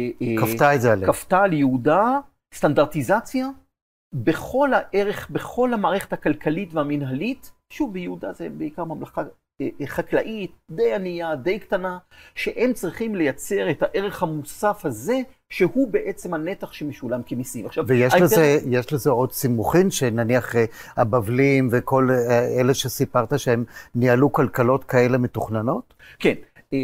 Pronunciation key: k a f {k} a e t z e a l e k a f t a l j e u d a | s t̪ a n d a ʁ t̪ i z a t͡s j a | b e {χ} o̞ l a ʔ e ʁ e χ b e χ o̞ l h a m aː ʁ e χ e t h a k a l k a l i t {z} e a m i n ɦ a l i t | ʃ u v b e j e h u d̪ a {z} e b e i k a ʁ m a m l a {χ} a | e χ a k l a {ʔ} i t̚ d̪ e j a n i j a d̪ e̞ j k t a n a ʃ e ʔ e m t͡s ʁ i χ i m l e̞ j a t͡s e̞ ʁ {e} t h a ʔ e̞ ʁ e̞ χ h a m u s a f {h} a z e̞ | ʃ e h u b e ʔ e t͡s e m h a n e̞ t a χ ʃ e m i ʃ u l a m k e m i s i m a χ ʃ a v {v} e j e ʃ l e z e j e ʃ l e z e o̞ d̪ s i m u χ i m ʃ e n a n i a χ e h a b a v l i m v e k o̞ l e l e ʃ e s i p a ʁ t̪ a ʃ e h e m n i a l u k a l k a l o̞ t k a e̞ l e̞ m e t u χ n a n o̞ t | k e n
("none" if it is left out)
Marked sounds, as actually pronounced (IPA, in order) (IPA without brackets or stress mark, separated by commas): t, χ, v, z, χ, ʔ, e, h, v